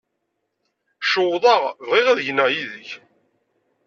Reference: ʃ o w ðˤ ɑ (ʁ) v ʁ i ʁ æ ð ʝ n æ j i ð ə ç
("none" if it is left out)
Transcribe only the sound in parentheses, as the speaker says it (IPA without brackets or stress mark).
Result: ʁ